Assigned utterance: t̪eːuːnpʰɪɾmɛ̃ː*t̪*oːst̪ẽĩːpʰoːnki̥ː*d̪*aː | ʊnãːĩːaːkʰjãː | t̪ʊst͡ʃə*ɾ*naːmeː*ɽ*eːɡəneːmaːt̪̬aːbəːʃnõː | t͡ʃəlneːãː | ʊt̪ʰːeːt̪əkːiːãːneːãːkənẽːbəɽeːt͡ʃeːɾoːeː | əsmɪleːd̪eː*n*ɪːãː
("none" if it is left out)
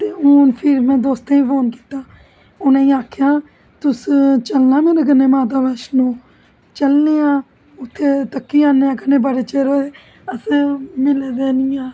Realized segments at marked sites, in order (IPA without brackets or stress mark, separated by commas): d̪, t̪, l, ɾ, n